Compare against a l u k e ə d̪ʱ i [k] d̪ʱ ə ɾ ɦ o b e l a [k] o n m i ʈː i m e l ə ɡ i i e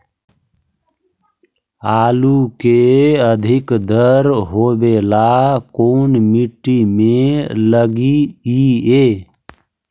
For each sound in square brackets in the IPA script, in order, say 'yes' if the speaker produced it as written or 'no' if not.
yes, yes

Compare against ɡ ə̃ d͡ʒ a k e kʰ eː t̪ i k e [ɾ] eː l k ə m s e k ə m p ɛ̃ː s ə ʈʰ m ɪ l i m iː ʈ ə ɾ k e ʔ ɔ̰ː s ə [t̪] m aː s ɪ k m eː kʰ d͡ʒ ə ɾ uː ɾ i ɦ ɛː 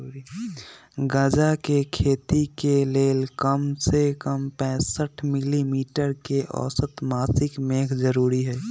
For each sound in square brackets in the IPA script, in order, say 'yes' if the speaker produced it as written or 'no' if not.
no, yes

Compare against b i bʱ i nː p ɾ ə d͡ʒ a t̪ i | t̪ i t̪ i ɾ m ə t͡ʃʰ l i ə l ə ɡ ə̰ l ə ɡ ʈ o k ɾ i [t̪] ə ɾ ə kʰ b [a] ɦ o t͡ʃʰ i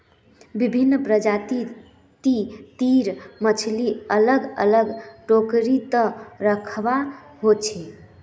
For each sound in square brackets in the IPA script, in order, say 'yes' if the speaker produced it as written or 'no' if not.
yes, yes

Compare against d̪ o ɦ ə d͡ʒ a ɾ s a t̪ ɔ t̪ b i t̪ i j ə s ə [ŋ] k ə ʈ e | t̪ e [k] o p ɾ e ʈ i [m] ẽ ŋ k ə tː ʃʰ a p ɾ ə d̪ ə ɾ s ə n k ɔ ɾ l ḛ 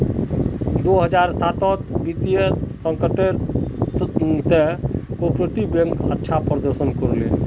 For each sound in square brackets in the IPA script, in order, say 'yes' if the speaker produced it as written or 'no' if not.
yes, yes, no

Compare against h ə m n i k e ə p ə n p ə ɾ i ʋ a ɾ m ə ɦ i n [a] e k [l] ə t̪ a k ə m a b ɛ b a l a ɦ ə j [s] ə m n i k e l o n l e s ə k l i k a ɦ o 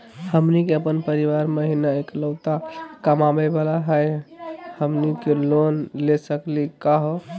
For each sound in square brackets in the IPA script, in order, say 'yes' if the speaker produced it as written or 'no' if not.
yes, yes, no

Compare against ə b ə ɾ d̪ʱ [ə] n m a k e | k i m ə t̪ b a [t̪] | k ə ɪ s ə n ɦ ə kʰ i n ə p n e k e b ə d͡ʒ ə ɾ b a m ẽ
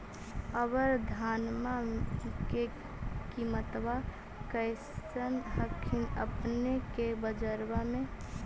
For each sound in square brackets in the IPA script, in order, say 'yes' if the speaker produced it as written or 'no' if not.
no, no

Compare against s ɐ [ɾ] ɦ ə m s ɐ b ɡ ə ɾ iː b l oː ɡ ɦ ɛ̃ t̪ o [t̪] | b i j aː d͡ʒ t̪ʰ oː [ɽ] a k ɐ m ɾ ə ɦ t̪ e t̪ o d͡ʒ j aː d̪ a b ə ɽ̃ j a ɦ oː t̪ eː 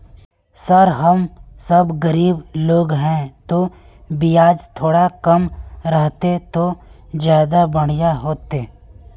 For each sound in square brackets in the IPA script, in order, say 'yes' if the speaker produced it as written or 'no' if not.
yes, no, yes

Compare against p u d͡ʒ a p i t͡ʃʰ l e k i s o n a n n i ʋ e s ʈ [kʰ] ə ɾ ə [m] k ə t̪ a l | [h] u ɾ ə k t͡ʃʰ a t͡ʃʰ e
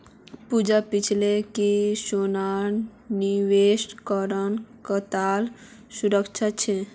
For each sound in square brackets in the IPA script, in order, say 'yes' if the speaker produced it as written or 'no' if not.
no, no, no

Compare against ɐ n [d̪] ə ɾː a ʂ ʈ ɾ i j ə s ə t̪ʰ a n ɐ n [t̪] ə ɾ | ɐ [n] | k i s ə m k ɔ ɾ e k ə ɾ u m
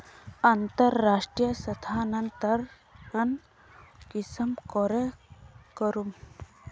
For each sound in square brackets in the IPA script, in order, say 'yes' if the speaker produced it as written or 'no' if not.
no, yes, yes

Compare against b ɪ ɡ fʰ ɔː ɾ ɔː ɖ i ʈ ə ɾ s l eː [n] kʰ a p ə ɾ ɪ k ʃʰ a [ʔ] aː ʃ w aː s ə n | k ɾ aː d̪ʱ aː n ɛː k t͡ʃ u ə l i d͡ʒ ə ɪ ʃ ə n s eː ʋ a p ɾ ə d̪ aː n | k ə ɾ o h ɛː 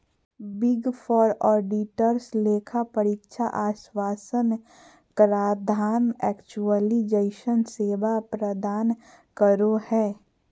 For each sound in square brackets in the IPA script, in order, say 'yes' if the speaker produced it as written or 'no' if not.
no, yes

